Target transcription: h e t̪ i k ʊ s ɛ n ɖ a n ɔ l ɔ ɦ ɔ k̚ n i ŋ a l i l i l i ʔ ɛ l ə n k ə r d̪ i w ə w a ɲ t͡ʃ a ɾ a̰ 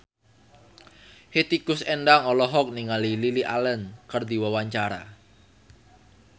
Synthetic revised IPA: h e t̪ i k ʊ s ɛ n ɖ a ŋ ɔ l ɔ ɦ ɔ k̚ n i ŋ a l i l i l i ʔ a l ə n k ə r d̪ i w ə w a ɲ t͡ʃ a ɾ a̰